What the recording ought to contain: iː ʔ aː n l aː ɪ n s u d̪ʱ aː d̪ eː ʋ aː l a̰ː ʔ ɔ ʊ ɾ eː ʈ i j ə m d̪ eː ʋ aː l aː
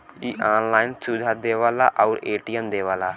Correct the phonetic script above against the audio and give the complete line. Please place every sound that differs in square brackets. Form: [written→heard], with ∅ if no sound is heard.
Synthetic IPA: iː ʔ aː n l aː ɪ n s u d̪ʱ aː d̪ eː ʋ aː l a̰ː ʔ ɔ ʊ ɾ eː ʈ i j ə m d̪ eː ʋ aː l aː